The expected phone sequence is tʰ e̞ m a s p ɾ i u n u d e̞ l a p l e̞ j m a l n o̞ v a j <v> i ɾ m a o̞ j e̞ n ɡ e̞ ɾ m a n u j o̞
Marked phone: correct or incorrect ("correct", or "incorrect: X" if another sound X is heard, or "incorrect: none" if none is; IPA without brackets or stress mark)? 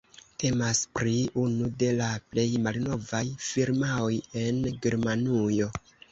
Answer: incorrect: f